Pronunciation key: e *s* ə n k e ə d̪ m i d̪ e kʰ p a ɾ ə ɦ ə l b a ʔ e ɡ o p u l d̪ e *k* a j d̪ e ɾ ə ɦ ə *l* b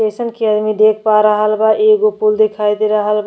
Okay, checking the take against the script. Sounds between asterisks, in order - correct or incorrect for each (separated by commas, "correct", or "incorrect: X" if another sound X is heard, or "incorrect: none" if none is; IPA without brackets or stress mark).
correct, incorrect: kʰ, correct